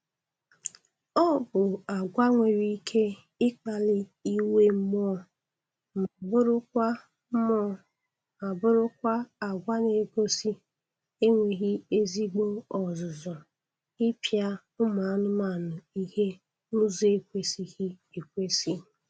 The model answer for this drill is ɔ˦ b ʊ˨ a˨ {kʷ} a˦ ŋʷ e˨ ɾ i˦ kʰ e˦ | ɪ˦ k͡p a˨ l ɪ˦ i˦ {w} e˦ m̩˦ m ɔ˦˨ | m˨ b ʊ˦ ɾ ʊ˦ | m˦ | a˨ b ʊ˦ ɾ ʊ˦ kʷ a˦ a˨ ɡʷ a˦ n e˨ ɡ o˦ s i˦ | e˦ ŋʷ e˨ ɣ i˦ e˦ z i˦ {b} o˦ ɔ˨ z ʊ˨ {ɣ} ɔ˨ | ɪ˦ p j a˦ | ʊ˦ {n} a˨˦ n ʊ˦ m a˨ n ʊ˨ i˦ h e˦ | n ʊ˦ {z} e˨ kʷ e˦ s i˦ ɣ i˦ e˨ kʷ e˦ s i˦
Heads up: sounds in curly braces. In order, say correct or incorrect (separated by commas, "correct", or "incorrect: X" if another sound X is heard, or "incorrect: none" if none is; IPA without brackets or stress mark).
incorrect: ɡʷ, correct, incorrect: ɡ͡b, incorrect: z, incorrect: m, correct